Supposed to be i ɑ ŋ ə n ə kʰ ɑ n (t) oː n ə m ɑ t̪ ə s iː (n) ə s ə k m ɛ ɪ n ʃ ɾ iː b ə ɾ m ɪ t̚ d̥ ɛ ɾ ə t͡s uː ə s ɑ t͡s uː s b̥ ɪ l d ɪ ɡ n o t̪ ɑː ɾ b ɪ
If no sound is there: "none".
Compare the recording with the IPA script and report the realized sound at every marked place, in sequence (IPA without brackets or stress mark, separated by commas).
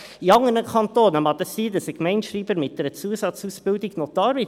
t, d